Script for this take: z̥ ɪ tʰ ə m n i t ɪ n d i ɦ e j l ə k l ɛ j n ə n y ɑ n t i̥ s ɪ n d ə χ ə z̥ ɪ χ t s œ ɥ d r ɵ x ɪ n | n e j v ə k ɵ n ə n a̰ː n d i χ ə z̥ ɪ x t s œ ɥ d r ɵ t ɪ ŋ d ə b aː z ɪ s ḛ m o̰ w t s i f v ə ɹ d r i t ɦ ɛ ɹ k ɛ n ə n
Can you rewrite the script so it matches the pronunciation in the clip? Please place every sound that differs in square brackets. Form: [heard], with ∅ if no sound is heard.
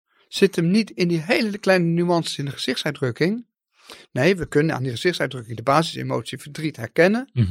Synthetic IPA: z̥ ɪ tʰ ə m n i t ɪ n d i ɦ e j l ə k l ɛ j n ə n y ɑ n [s] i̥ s ɪ n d ə χ ə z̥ ɪ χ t s œ ɥ d r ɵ [k] ɪ [ŋ] | n e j [ʋ] ə k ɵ n ə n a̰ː n d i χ ə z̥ ɪ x t s œ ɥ d r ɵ [k] ɪ ŋ d ə b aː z ɪ s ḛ m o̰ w t s i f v ə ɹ d r i t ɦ ɛ ɹ k ɛ n ə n